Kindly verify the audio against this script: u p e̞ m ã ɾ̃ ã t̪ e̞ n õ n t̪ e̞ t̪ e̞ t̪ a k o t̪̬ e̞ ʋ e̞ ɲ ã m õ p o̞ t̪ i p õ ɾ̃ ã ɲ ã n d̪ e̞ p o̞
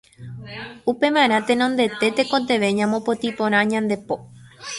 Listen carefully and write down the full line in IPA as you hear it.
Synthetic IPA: u p e̞ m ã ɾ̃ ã t̪ e̞ n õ n d̪ e̞ t̪ e̞ t̪ e k o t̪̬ e̞ ʋ e̞ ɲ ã m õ p o̞ t̪ i p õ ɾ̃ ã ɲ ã n d̪ e̞ p o̞